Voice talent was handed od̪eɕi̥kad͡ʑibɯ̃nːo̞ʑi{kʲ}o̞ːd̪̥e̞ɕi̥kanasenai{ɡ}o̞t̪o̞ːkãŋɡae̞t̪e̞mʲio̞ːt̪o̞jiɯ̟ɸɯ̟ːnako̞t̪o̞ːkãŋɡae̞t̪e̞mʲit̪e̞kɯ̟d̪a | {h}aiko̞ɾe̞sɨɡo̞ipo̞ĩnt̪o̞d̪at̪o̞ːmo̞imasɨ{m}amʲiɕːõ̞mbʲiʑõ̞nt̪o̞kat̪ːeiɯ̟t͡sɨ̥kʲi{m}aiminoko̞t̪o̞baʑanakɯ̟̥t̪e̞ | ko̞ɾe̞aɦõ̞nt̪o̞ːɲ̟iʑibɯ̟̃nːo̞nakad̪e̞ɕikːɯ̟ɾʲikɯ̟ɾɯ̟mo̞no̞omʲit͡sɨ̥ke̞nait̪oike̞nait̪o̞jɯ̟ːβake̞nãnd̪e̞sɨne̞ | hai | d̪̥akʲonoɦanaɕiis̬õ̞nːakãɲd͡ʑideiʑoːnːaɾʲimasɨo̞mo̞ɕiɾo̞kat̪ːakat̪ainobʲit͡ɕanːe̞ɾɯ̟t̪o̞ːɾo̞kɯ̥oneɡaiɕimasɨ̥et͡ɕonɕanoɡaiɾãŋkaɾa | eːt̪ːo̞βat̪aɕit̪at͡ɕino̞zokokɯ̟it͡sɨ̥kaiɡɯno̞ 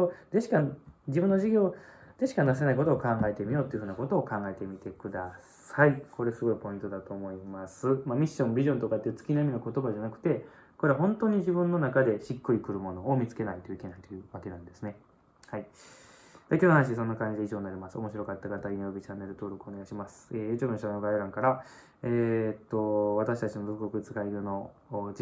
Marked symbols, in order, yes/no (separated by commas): no, no, no, yes, no